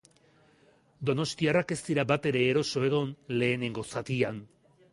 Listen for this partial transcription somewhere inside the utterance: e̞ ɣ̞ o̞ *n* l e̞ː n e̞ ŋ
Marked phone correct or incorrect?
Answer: correct